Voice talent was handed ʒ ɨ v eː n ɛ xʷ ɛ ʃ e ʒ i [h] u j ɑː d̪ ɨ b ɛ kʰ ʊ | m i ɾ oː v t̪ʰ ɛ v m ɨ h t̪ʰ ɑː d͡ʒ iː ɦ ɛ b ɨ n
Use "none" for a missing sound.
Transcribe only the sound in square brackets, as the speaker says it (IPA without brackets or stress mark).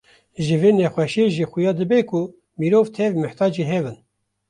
x